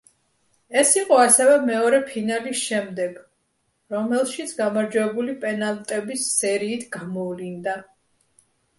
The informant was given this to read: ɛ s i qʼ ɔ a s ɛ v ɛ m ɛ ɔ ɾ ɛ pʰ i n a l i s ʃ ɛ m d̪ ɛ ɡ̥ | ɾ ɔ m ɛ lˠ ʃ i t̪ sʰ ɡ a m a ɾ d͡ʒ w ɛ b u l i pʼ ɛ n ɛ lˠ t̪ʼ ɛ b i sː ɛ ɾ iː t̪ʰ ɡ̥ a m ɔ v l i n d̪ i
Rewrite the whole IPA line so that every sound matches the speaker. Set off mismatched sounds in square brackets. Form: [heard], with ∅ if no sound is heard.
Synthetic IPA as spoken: ɛ s i qʼ ɔ a s ɛ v ɛ m ɛ ɔ ɾ ɛ pʰ i n a l i s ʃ ɛ m d̪ ɛ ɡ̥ | ɾ ɔ m ɛ lˠ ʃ i t̪ sʰ ɡ a m a ɾ d͡ʒ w ɛ b u l i pʼ ɛ n [a] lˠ t̪ʼ ɛ b i sː ɛ ɾ iː t̪ʰ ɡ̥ a m ɔ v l i n d̪ [a]